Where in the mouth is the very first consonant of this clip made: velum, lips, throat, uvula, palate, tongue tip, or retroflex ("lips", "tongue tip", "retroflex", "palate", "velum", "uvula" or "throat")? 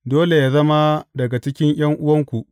tongue tip